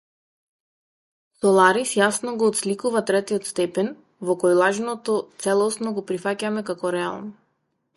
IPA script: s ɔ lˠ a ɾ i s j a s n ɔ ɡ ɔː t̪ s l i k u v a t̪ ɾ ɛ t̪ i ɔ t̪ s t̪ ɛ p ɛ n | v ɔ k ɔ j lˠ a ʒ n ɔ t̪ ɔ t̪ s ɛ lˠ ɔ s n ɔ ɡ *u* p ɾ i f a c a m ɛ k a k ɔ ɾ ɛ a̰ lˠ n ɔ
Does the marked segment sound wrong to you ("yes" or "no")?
yes